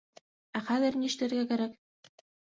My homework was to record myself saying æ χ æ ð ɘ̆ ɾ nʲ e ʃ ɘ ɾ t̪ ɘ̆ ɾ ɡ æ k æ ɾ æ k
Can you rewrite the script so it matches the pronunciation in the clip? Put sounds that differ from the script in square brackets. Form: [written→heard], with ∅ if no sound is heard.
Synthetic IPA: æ χ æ ð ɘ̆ ɾ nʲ [e→i] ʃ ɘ [ɾ→∅] t̪ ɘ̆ ɾ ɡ æ k æ ɾ æ k

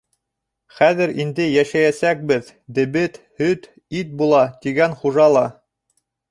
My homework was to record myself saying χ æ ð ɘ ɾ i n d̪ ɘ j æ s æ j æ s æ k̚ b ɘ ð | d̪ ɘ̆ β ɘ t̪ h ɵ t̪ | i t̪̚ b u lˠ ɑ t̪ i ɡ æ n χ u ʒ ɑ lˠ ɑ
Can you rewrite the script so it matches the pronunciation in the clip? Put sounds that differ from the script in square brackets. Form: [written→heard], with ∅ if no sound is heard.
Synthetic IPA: χ æ ð ɘ ɾ i n d̪ ɘ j æ [s→ʃ] æ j æ s æ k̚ b ɘ ð | d̪ ɘ̆ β ɘ t̪ h ɵ t̪ | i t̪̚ b u lˠ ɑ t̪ i ɡ æ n χ u ʒ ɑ lˠ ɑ

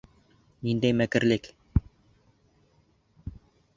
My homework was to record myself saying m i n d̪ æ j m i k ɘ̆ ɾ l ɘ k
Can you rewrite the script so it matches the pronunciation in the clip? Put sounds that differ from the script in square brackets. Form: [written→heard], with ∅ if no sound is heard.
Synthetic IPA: [m→n] i n d̪ æ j m [i→æ] k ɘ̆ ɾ l ɘ k

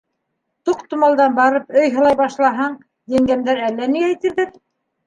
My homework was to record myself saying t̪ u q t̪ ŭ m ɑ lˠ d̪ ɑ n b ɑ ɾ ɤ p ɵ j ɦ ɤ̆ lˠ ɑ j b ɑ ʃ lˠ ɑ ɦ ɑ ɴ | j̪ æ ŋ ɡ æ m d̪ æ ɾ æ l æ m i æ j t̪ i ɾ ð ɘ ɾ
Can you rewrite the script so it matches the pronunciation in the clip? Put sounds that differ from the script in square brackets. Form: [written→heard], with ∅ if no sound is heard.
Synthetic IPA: t̪ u q t̪ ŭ m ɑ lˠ d̪ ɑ n b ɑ ɾ ɤ p ɵ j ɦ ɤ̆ lˠ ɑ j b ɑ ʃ lˠ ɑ ɦ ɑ ɴ | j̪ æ ŋ ɡ æ m d̪ æ ɾ æ [l→lː] æ [m→n] i æ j t̪ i ɾ ð ɘ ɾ

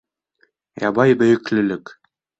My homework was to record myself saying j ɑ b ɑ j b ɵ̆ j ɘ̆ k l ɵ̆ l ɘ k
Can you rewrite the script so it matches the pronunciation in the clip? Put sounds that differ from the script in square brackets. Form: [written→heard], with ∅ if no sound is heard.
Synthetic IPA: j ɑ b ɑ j b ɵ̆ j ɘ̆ k l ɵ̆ l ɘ k

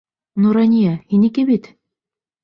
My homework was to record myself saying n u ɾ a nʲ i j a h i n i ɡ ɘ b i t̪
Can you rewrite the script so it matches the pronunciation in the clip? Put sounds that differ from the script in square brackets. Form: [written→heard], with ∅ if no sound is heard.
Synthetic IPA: n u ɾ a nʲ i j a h i n i [ɡ→k] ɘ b i t̪

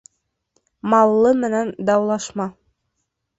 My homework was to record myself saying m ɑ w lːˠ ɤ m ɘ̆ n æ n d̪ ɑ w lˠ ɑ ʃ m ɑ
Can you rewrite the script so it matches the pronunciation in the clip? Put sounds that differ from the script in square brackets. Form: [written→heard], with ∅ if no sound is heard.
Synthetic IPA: m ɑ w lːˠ ɤ m ɘ̆ n æ n d̪ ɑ w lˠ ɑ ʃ m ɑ

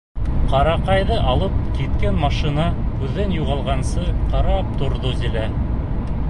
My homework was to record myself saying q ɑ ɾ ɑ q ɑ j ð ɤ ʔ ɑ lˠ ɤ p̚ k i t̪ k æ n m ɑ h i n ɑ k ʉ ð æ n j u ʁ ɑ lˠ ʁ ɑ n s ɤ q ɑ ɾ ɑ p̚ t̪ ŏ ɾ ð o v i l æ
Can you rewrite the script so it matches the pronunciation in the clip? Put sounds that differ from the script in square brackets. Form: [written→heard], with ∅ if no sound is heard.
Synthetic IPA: q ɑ ɾ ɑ q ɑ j ð ɤ ʔ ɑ lˠ ɤ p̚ k i t̪ k æ n m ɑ [h→ʃ] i n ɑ k ʉ [ð→ðː] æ n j u ʁ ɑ lˠ ʁ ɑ n s ɤ q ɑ ɾ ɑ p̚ t̪ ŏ ɾ ð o [v→z] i l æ

